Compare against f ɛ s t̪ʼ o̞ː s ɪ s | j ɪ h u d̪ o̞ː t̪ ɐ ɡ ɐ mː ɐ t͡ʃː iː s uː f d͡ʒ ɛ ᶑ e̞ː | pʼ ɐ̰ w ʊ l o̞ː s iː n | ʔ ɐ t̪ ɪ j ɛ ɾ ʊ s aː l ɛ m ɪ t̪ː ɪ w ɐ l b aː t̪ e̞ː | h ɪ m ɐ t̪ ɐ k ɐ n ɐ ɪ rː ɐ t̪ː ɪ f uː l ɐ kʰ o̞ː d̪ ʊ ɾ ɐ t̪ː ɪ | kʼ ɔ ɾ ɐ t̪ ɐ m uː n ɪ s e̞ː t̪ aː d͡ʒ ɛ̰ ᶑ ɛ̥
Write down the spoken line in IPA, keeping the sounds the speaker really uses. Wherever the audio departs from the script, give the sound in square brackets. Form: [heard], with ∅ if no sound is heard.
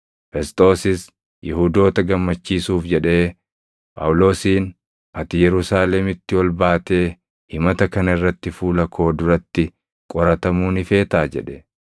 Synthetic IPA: f ɛ s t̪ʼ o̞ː s ɪ s | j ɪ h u d̪ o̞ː t̪ ɐ ɡ ɐ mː ɐ t͡ʃː iː s uː f d͡ʒ ɛ ᶑ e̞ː | pʼ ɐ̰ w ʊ l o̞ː s iː n | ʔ ɐ t̪ ɪ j ɛ ɾ ʊ s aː l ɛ m ɪ t̪ː ɪ w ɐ l b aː t̪ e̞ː | h ɪ m ɐ t̪ ɐ k ɐ n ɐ ɪ rː ɐ t̪ː ɪ f uː l ɐ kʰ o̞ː d̪ ʊ ɾ ɐ t̪ː ɪ | kʼ ɔ ɾ ɐ t̪ ɐ m uː n ɪ [f] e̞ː t̪ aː d͡ʒ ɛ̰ ᶑ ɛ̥